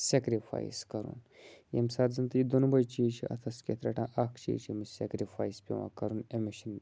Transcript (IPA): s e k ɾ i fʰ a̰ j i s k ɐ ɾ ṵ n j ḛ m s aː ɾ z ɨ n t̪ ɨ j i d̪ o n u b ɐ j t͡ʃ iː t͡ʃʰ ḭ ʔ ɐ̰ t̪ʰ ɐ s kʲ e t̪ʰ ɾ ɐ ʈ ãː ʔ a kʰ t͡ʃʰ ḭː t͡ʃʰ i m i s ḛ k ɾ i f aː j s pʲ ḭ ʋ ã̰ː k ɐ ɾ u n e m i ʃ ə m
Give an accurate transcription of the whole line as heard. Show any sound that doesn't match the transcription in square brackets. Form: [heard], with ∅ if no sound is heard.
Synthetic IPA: s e k ɾ i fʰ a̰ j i s k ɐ ɾ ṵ n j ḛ m s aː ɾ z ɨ n t̪ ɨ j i d̪ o n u b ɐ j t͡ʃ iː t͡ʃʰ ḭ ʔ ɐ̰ t̪ʰ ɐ s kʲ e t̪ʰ ɾ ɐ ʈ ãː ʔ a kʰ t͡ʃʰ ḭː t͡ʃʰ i m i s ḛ k ɾ i f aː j s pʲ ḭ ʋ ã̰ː k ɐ ɾ u n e m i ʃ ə [n]